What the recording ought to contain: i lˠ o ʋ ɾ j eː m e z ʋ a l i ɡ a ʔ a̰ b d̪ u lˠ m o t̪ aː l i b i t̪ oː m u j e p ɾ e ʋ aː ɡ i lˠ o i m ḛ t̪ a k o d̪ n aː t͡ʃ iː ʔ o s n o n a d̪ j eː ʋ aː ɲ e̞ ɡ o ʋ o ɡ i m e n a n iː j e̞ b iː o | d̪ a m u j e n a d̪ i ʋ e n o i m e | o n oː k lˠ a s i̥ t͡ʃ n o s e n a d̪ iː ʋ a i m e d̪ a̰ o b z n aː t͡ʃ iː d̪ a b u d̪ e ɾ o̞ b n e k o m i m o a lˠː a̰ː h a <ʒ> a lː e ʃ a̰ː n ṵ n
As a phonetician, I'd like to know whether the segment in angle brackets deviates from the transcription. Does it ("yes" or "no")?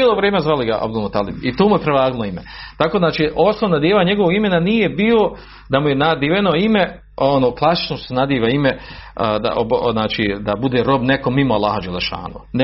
yes